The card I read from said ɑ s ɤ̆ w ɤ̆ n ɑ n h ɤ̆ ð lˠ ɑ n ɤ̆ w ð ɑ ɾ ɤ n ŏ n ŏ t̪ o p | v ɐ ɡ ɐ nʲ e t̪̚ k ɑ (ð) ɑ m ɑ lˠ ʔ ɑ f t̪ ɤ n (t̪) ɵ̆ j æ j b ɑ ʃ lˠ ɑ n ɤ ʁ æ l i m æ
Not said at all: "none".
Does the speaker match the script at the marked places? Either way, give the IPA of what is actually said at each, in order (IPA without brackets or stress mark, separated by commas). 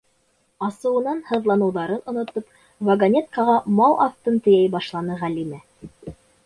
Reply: ʁ, t̪